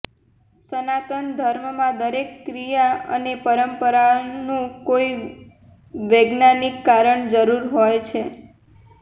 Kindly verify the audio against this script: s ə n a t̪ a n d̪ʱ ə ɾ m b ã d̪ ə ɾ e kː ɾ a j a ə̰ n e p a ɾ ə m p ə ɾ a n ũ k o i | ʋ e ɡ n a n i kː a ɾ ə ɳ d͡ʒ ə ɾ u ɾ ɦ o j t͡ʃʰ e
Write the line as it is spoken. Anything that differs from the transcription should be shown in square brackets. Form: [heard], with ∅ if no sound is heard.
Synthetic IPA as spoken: s ə n a t̪ [ə] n d̪ʱ ə ɾ m [m] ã d̪ ə ɾ e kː ɾ [i] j a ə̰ n e p [ə] ɾ ə m p ə ɾ a n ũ k o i | ʋ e ɡ n a n i kː a ɾ ə ɳ d͡ʒ ə ɾ u ɾ ɦ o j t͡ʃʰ e